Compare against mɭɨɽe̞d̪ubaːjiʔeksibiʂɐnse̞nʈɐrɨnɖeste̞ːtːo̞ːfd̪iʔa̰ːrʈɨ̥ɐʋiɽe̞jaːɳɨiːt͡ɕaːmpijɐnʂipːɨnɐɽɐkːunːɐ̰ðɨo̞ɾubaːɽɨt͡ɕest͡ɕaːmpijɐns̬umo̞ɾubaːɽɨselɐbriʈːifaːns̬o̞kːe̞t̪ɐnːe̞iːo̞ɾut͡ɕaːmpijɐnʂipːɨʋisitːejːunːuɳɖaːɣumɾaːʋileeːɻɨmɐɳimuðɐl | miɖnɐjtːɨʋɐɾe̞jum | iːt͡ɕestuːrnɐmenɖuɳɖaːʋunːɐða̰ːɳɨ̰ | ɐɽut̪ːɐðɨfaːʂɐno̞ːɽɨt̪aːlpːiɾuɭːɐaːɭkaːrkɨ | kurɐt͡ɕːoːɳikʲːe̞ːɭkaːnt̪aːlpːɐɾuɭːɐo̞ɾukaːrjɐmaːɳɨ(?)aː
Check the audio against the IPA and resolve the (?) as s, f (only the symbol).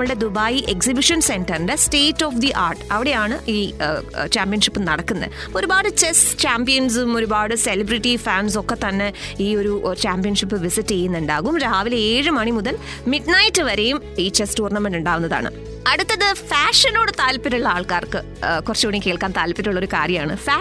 f